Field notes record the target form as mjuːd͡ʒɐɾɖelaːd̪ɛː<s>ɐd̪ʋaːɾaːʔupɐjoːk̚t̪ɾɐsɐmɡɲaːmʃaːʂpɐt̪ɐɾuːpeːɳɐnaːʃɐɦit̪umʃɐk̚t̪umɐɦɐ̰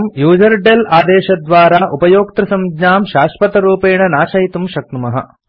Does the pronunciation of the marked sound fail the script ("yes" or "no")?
yes